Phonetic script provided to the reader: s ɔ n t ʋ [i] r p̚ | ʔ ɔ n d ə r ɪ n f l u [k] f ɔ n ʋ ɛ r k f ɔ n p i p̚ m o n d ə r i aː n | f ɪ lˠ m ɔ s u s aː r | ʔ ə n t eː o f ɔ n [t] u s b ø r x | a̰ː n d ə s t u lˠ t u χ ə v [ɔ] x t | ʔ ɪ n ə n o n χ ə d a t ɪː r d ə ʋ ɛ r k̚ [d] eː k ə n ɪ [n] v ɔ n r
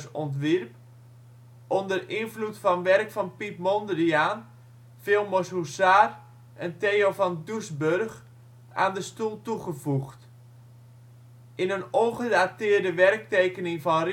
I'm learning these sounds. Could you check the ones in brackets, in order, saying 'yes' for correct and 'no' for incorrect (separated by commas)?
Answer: yes, no, no, no, no, no